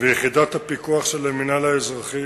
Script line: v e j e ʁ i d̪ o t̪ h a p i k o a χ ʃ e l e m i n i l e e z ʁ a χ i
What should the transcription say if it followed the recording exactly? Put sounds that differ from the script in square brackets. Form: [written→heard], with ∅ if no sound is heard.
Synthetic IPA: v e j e [ʁ→χ] i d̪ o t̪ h a p i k [o→u] a χ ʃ e l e m i n [i→a] l [e→a] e z ʁ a χ i